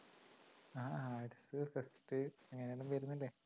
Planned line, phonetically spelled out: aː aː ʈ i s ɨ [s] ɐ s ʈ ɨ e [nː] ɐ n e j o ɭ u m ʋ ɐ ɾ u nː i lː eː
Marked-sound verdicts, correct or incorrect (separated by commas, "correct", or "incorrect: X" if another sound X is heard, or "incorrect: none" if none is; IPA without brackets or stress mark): incorrect: f, incorrect: ŋː